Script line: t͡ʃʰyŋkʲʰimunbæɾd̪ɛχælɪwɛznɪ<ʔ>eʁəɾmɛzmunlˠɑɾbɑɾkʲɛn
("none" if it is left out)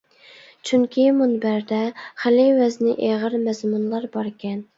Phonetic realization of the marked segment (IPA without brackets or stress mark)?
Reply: ʔ